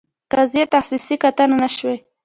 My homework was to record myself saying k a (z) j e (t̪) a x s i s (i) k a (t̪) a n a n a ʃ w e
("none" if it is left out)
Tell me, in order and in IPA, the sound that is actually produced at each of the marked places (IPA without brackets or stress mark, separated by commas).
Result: z, t̪, i, t̪